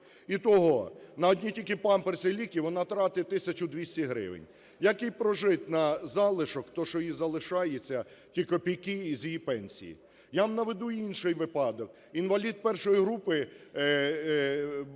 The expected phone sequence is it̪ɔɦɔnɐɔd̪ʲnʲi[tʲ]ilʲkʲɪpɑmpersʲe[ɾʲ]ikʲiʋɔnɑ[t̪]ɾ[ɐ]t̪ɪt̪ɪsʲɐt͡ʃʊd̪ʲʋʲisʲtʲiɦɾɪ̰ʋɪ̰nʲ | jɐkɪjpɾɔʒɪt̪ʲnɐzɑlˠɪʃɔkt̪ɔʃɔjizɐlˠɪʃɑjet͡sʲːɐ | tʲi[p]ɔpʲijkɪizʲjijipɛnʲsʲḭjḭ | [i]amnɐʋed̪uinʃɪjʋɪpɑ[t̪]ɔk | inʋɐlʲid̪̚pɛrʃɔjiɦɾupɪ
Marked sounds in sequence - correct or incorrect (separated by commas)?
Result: correct, incorrect, correct, incorrect, incorrect, incorrect, incorrect